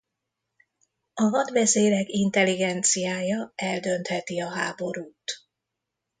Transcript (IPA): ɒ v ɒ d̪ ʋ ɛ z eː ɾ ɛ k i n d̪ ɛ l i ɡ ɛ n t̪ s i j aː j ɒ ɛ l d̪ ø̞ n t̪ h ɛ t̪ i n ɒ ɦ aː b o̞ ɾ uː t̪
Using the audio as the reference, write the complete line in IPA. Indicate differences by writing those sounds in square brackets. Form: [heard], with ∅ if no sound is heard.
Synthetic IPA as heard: ɒ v ɒ d̪ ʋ ɛ z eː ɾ ɛ k i n [t̪] ɛ l i ɡ ɛ n t̪ s i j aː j ɒ ɛ l d̪ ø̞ n t̪ h ɛ t̪ i [∅] ɒ ɦ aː b o̞ ɾ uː t̪